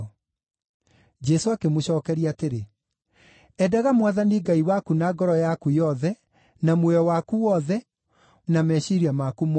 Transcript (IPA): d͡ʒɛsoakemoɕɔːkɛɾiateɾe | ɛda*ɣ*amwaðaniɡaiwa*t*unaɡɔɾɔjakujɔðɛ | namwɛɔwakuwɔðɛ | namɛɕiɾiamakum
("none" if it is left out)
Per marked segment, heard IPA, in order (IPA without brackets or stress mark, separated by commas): ɣ, k